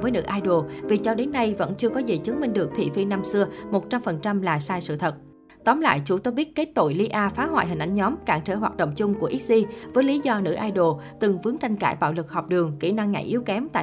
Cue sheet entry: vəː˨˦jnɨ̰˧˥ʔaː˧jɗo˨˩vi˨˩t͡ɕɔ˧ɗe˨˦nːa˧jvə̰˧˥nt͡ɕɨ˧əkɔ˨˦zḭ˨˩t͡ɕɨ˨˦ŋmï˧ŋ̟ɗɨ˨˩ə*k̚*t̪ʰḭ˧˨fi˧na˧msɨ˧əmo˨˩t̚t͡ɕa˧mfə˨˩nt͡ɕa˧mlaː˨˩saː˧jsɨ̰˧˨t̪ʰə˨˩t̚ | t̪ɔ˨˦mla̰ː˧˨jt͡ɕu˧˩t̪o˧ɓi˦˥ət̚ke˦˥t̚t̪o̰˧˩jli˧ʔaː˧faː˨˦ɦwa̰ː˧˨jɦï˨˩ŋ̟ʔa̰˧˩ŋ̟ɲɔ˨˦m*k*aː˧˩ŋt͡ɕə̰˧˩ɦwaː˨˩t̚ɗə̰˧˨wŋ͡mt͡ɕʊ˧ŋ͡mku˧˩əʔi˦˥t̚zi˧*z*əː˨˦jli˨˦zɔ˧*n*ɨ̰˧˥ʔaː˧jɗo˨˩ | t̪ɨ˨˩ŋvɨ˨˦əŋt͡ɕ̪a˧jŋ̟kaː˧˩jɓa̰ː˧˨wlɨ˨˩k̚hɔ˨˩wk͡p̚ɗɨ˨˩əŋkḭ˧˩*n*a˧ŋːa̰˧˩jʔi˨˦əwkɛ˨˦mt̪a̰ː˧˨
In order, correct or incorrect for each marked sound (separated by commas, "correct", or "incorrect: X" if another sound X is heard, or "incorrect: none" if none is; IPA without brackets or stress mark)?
correct, correct, incorrect: v, correct, correct